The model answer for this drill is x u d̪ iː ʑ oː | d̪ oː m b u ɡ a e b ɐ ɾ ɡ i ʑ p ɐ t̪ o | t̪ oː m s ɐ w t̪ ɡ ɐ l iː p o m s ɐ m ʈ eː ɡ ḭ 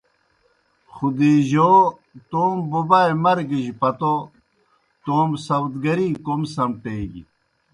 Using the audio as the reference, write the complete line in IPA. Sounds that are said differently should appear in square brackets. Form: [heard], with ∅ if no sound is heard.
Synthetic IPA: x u d̪ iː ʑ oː | [t̪] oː m b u [b] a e [m] ɐ ɾ ɡ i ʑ p ɐ t̪ o | t̪ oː m s ɐ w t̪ ɡ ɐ [ɾ] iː [k] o m s ɐ m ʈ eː ɡ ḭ